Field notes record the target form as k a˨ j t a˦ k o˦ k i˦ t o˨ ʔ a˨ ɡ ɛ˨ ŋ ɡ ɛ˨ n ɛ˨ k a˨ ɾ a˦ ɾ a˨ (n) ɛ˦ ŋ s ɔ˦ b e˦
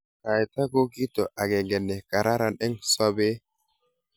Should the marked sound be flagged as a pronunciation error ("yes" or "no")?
no